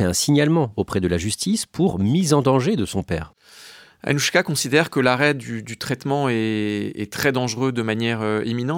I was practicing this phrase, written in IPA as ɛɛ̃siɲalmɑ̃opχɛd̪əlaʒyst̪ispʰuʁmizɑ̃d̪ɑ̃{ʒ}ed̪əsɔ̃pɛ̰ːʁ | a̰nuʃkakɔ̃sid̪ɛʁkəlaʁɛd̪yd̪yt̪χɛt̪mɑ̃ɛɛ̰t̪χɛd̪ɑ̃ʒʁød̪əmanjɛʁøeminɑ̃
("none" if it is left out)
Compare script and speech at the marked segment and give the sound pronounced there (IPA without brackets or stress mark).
ʒ